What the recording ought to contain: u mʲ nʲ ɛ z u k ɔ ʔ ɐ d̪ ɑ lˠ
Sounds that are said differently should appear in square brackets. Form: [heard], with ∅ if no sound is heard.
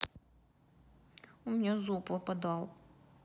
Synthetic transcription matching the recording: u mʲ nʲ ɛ z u [p] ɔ [p] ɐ d̪ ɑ lˠ